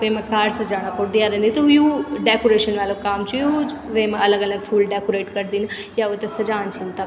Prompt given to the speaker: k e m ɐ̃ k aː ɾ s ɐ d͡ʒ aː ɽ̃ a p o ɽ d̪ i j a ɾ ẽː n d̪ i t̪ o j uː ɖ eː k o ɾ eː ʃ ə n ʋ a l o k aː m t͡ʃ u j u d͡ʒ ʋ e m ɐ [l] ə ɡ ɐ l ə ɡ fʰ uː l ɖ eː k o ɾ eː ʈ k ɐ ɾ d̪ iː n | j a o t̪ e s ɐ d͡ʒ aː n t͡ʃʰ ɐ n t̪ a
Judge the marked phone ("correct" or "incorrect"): correct